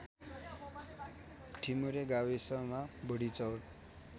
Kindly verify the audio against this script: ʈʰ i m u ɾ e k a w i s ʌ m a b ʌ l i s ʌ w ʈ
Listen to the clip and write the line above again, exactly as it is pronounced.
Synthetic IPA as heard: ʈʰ i m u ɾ e ɡ a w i s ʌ m a b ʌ ɽ i t͡s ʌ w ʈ